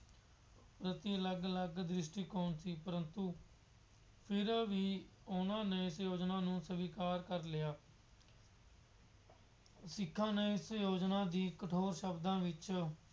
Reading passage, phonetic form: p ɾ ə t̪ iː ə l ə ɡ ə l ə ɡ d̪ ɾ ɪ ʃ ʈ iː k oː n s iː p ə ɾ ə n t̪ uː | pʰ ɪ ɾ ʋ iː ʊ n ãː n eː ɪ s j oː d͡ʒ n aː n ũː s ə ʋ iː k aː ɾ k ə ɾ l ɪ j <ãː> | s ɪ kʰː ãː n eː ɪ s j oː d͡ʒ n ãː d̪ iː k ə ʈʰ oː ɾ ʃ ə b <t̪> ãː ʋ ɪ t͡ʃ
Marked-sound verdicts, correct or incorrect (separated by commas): incorrect, incorrect